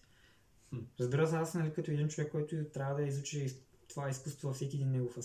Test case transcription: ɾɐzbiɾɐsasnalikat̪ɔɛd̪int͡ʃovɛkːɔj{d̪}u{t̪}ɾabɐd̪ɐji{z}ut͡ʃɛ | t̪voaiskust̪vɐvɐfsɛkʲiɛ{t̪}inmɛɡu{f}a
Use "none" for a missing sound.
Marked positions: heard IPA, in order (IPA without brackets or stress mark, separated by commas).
t̪, t̪, z, d̪, f